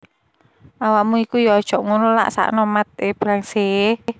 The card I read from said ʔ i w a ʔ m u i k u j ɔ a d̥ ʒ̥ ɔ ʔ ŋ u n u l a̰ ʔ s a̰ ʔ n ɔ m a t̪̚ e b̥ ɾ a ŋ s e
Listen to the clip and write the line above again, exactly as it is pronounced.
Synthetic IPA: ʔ a w a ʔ m u i k u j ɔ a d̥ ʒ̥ ɔ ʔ ŋ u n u l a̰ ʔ s a̰ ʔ n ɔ m a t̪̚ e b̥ ɾ a ŋ s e

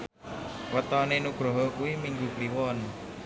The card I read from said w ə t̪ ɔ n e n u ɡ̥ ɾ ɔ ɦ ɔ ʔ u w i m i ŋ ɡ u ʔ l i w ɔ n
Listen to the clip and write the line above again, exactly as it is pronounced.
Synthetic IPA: w ə t̪ ɔ n e n u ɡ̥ ɾ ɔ ɦ ɔ k u w i m i ŋ ɡ u k l i w ɔ n

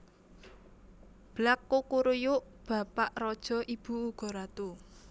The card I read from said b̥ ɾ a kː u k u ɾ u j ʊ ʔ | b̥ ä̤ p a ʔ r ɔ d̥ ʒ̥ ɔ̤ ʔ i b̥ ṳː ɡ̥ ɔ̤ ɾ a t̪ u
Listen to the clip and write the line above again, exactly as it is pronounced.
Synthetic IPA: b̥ l a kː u k u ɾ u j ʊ ʔ | b̥ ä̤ p a ʔ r ɔ d̥ ʒ̥ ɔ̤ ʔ i b̥ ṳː ɡ̥ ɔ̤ ɾ a t̪ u

